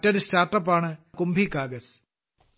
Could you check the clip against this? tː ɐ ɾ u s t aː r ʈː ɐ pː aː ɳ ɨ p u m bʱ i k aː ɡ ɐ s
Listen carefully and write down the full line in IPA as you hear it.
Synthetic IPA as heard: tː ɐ ɾ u s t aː r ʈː ɐ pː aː ɳ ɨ k u m bʱ i k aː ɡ ɐ s

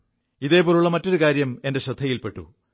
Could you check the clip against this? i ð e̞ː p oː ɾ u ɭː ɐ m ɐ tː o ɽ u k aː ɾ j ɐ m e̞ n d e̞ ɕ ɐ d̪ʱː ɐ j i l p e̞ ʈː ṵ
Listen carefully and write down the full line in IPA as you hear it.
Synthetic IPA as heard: i ð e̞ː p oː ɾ u ɭː ɐ m ɐ tː o ɾ u k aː ɾ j ɐ m e̞ n d e̞ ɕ ɐ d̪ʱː ɐ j i l p e̞ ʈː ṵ

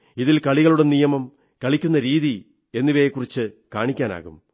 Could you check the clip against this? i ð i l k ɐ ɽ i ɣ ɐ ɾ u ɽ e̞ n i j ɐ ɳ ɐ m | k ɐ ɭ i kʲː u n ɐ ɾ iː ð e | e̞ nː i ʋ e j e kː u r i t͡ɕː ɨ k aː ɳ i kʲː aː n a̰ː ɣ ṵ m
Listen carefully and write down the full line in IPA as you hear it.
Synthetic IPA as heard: i ð i l k ɐ ɭ i ɣ ɐ ɭ u ɽ e̞ n i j ɐ m ɐ m | k ɐ ɭ i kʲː u nː ɐ ɾ iː ð i | e̞ nː i ʋ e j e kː u r i t͡ɕː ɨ k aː ɳ i kʲː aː n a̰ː ɣ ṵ m

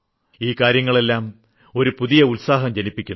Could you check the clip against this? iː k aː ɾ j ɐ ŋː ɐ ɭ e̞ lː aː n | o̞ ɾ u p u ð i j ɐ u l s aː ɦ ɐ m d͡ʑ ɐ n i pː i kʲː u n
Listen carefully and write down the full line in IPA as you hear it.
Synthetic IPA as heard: iː k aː ɾ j ɐ ŋː ɐ ɭ e̞ lː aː m | o̞ ɾ u p u ð i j ɐ u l s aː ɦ ɐ m d͡ʑ ɐ n i pː i kʲː u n

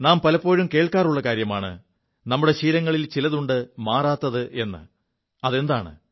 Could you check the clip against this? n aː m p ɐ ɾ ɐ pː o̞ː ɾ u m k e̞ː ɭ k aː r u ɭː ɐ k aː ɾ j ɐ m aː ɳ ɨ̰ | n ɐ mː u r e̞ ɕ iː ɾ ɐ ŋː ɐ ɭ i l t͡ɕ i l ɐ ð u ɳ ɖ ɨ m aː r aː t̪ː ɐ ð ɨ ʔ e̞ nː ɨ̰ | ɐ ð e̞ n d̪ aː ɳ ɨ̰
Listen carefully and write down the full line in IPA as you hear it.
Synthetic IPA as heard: n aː m p ɐ l ɐ pː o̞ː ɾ u m k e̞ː ɭ k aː r u ɭː ɐ k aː ɾ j ɐ m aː ɳ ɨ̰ | n ɐ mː u ɽ e̞ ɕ iː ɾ ɐ ŋː ɐ ɭ i l t͡ɕ i l ɐ ð u ɳ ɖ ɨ m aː r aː t̪ː ɐ ð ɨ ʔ e̞ nː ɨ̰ | ɐ ð e̞ n d̪ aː ɳ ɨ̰

